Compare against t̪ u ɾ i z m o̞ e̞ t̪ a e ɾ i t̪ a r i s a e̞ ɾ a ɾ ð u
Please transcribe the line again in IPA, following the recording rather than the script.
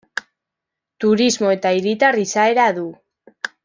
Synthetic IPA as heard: t̪ u ɾ i z m o̞ e̞ t̪ a i ɾ i t̪ a r i s a e̞ ɾ a ð u